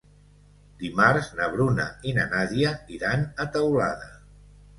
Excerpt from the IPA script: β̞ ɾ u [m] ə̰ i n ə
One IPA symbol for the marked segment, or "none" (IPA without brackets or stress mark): n